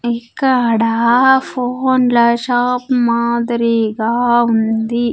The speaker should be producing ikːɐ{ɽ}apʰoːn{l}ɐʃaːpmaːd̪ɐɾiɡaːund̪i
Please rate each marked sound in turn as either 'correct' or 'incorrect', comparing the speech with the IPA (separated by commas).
correct, correct